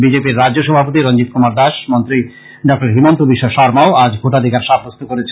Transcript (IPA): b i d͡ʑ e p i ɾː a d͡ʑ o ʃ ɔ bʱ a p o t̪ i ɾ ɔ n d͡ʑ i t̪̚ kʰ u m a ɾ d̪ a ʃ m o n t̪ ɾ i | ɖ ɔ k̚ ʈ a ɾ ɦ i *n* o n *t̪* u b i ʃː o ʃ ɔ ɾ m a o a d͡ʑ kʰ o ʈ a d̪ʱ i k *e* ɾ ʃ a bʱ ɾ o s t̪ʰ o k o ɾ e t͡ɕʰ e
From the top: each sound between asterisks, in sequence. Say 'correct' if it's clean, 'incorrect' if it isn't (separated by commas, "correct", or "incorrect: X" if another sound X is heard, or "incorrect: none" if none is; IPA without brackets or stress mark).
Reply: incorrect: m, correct, incorrect: a